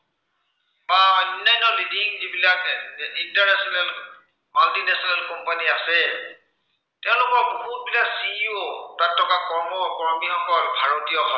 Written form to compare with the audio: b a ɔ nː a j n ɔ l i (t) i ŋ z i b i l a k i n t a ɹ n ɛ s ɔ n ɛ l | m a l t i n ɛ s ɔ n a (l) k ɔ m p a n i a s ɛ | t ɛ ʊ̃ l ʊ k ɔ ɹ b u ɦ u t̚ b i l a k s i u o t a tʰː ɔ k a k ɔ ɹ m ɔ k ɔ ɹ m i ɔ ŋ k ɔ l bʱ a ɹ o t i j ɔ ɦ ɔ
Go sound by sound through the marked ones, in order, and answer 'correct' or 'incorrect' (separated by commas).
incorrect, correct